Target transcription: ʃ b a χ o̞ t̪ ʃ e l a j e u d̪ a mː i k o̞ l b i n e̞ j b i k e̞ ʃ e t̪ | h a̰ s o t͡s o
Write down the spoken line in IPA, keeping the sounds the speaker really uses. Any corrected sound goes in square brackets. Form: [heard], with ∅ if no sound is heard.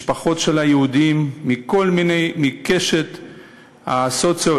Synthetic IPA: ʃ [p] a χ o̞ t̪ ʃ e l a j e u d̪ [i] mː i k o̞ l [m] i n e̞ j [m] i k e̞ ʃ e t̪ | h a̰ s o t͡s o